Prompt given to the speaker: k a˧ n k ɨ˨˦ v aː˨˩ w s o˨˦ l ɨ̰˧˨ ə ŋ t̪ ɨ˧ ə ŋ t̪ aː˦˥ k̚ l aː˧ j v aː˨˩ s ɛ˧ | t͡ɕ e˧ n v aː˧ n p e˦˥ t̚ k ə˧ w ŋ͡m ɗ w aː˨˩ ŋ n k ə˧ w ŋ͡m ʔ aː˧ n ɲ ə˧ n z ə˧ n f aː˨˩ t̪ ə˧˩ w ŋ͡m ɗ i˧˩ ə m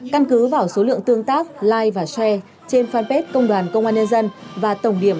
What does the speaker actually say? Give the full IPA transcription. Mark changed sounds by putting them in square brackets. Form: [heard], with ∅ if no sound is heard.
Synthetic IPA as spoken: k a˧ n k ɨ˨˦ v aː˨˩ w s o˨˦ l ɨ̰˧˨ ə ŋ t̪ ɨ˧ ə ŋ t̪ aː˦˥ k̚ l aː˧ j v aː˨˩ s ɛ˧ | t͡ɕ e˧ n [f] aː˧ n p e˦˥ t̚ k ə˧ w ŋ͡m ɗ w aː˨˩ [∅] n k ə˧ w ŋ͡m ʔ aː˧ n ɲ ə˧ n z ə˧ n [v] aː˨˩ t̪ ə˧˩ w ŋ͡m ɗ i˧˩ ə m